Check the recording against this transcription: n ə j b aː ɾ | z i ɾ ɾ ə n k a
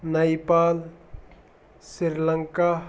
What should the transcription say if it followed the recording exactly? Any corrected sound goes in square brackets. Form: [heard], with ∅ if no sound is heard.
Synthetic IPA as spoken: n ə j [p] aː [l] | [s] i ɾ [l] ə [ŋ] k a